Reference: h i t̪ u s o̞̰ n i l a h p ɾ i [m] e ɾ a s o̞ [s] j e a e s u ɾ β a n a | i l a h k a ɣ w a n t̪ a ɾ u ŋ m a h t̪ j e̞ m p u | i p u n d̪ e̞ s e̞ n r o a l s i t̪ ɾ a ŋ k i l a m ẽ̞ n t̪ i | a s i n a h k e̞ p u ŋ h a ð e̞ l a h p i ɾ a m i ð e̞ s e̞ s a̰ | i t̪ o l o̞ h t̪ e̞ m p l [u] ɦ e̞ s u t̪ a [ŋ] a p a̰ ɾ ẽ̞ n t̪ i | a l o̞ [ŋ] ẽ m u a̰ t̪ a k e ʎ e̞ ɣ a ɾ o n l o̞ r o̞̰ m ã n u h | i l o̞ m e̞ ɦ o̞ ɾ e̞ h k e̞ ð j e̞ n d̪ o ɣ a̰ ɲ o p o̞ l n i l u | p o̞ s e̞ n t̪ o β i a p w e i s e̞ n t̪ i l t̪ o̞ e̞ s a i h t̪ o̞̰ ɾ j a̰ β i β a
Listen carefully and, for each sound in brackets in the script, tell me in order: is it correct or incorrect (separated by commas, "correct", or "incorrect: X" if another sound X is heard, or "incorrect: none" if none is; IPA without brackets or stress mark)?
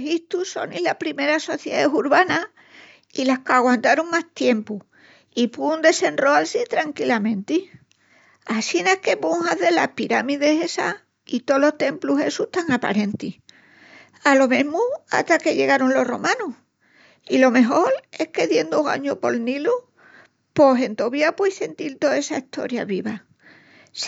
correct, incorrect: θ, correct, correct, incorrect: m